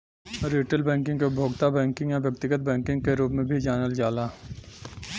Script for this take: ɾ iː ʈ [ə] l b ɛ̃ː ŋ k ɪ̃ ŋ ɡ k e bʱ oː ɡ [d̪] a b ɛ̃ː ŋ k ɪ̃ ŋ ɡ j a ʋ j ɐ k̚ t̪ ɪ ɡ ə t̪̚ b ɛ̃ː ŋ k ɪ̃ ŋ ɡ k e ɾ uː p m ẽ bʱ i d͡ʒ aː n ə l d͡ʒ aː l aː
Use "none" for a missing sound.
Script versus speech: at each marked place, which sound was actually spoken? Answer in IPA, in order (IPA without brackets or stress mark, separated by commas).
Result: ə, t̪